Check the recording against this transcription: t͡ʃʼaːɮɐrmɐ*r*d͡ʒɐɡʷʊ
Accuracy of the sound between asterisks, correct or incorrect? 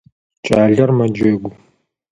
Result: incorrect